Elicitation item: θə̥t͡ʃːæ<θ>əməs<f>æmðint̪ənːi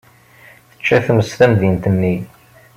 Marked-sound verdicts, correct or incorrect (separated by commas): correct, incorrect